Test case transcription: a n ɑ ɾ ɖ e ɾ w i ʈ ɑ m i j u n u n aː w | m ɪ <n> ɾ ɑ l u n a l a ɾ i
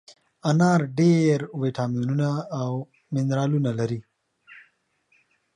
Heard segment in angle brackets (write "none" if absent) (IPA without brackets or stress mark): n